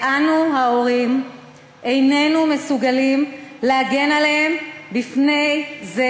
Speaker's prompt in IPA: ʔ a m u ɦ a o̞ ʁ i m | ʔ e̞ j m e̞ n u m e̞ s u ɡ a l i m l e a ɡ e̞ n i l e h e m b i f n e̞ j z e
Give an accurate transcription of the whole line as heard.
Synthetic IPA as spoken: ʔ a n u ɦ a o̞ ʁ i m | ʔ e̞ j n e̞ n u m e̞ s u ɡ a l i m l e a ɡ e̞ n a l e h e m b i f n e̞ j z e